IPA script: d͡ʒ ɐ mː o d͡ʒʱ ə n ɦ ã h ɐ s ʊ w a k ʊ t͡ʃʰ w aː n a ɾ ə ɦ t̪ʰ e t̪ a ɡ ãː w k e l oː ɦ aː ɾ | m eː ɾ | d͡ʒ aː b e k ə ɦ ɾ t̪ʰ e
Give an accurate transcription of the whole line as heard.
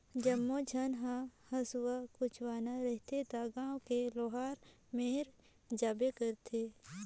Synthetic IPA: d͡ʒ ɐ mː o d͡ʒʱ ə n ɦ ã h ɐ s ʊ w a k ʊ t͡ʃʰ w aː n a ɾ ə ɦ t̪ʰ e t̪ a ɡ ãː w k e l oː ɦ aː ɾ | m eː ɾ | d͡ʒ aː b e k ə ɾ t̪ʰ e

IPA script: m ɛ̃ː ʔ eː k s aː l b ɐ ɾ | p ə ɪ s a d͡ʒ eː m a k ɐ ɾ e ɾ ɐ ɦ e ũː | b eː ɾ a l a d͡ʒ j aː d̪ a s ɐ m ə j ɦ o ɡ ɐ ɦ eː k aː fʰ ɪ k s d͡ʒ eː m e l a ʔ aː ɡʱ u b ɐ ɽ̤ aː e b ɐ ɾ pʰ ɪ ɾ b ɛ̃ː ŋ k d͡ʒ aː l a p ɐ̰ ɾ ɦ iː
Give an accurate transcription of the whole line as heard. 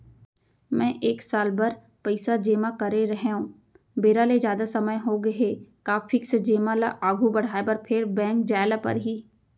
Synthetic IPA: m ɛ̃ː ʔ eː k s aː l b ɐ ɾ | p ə ɪ s a d͡ʒ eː m a k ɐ ɾ e ɾ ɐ ɦ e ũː | b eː ɾ a l e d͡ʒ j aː d̪ a s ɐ m ə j ɦ o ɡ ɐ ɦ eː k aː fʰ ɪ k s d͡ʒ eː m a l a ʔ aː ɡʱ u b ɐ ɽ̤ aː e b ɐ ɾ pʰ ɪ ɾ b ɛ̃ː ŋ k d͡ʒ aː l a p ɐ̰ ɾ ɦ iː

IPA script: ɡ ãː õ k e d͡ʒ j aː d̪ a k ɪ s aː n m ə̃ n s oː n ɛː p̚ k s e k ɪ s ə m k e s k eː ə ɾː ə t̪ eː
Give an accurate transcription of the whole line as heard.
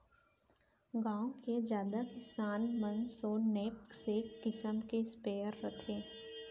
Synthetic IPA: ɡ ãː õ k e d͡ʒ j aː d̪ a k ɪ s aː n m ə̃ n s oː n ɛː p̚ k s e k ɪ s ə m k e s p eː ə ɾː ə t̪ʰ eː

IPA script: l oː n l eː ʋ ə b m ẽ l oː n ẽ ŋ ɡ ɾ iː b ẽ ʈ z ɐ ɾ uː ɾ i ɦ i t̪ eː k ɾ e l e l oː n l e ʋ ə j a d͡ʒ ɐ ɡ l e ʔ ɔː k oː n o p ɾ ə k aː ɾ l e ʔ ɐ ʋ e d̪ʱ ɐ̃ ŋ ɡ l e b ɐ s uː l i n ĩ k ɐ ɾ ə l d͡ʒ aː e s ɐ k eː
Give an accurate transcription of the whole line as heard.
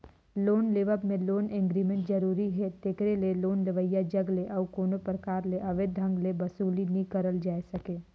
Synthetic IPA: l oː n l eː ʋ ə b m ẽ l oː n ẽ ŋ ɡ ɾ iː m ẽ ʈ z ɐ ɾ uː ɾ i ɦ ɛ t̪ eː k ɾ e l e l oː n l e ʋ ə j a d͡ʒ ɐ ɡ l e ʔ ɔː k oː n o p ɾ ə k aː ɾ l e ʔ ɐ ʋ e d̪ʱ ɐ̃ ŋ ɡ l e b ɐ s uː l i n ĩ k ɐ ɾ ə l d͡ʒ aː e s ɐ k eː

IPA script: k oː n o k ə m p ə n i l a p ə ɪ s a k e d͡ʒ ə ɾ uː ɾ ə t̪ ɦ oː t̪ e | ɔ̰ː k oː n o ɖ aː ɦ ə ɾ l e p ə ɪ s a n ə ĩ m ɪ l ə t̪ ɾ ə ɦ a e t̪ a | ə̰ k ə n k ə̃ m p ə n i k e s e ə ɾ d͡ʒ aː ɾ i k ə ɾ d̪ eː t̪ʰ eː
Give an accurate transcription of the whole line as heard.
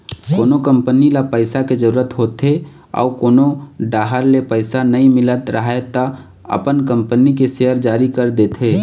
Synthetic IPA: k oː n o k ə m p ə n i l a p ə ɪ s a k e d͡ʒ ə ɾ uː ɾ ə t̪ ɦ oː t̪ e | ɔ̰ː k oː n o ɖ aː ɦ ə ɾ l e p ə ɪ s a n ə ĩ m ɪ l ə t̪ ɾ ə ɦ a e t̪ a | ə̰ p ə n k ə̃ m p ə n i k e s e ə ɾ d͡ʒ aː ɾ i k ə ɾ d̪ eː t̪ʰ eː

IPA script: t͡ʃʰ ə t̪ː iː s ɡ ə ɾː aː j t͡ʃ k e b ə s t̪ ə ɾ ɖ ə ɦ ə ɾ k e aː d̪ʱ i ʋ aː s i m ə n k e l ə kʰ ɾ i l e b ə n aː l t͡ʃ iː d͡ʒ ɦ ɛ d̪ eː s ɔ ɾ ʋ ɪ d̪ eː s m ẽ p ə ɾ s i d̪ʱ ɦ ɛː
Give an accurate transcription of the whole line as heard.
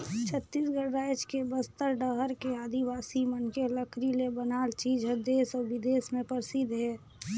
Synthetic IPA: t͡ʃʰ ə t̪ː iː s ɡ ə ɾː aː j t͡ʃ k e b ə s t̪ ə ɾ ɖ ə ɦ ə ɾ k e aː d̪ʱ i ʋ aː s i m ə n k e l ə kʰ ɾ i l e b ə n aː l t͡ʃ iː d͡ʒ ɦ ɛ d̪ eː s ɔ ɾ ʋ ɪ d̪ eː s m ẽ p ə ɾ s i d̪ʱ ɦ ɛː

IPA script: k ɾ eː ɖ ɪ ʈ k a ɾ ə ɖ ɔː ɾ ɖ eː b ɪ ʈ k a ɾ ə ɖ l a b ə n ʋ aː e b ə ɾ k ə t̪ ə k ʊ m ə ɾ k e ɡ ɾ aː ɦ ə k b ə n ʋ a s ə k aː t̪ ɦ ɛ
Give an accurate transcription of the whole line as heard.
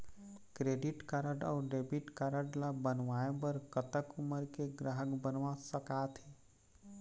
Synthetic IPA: k ɾ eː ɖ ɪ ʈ k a ɾ ə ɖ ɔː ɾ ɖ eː b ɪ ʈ k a ɾ ə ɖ l a b ə n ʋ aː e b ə ɾ k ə t̪ ə k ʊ m ə ɾ k e ɡ ɾ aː ɦ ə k b ə n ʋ a s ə k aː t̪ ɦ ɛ

